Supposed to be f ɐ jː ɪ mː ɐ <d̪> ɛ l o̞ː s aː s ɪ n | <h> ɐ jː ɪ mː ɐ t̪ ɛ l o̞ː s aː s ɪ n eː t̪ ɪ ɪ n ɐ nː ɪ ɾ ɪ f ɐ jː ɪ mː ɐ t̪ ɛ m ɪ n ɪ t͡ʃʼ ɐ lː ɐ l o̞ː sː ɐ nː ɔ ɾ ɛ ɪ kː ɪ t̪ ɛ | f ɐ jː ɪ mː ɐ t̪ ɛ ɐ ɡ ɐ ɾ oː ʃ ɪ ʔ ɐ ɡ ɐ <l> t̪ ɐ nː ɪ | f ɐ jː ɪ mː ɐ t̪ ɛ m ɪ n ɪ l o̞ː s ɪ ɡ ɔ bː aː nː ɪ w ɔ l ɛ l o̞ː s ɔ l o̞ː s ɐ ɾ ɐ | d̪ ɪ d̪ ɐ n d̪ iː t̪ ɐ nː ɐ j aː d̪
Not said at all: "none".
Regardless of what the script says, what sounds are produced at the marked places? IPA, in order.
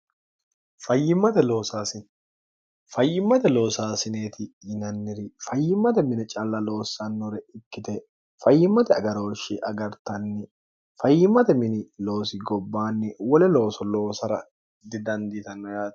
t̪, f, ɾ

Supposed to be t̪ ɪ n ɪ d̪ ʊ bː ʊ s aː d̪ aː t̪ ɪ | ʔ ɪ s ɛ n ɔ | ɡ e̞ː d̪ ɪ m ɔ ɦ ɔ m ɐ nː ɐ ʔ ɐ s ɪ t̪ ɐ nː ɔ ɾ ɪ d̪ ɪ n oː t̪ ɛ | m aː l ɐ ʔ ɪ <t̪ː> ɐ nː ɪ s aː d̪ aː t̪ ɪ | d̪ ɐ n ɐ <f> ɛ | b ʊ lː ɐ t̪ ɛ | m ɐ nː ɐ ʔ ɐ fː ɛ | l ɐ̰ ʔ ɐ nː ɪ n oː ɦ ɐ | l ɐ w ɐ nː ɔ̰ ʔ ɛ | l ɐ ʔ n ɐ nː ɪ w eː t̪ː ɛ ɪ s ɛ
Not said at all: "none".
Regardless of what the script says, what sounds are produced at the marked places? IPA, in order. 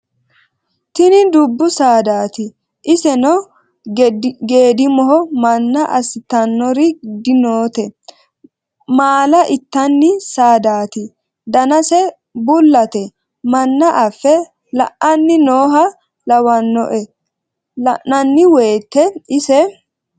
t̪ː, s

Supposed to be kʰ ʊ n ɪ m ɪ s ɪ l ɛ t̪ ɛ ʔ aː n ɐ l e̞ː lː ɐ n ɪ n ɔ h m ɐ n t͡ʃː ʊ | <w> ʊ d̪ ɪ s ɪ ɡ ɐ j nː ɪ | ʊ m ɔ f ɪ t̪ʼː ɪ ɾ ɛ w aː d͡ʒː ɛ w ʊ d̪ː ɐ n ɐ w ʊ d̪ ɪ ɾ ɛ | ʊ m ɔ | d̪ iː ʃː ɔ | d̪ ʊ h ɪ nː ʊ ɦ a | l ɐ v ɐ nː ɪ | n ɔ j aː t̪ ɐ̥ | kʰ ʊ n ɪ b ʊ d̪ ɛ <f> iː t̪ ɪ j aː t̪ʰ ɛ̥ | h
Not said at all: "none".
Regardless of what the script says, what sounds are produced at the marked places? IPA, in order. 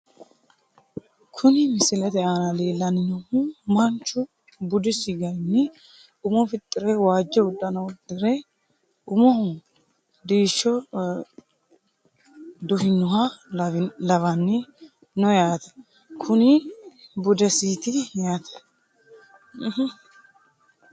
b, s

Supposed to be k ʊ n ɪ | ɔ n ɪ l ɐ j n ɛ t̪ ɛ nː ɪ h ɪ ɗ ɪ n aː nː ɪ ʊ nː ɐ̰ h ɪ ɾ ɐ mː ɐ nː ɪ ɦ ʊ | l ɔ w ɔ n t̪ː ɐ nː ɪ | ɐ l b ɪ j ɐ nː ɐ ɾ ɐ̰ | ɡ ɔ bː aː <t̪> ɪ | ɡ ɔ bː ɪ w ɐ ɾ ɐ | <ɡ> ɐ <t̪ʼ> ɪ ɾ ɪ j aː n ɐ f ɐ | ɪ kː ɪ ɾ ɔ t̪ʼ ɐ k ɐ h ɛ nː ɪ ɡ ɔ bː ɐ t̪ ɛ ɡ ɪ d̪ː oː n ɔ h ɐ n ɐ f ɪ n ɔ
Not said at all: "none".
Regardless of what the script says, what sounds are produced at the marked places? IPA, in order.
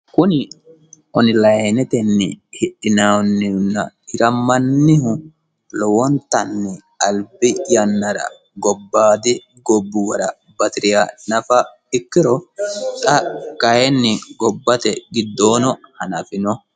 d̪, b, t̪

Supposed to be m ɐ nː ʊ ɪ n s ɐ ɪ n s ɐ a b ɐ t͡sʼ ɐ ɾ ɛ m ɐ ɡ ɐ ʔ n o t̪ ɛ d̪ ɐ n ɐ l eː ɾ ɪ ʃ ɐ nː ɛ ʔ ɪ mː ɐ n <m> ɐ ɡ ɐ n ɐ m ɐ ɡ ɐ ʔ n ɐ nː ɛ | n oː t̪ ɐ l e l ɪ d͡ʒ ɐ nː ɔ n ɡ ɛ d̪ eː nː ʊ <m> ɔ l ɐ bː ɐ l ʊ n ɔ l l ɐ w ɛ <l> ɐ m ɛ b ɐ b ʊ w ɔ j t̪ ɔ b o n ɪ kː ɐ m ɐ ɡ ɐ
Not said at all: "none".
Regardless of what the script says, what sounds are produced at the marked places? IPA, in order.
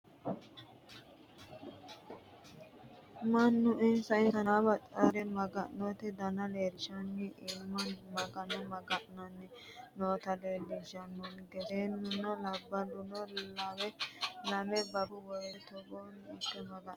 m, n, l

